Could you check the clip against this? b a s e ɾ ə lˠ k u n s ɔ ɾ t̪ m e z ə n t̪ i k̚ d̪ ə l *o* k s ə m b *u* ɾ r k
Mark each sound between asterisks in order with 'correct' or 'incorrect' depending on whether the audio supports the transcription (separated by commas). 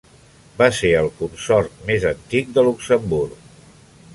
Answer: incorrect, correct